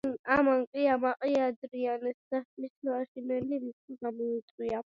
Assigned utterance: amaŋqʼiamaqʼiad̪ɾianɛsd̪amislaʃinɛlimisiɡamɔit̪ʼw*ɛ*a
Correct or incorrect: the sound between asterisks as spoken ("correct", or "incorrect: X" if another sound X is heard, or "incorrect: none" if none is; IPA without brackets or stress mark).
incorrect: i